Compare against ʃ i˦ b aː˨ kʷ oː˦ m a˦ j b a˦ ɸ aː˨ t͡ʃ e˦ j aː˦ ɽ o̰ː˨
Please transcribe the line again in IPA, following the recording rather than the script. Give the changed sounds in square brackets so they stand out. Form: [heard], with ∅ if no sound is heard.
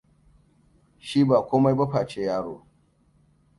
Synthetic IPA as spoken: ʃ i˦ b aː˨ kʷ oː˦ m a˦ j b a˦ ɸ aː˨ t͡ʃ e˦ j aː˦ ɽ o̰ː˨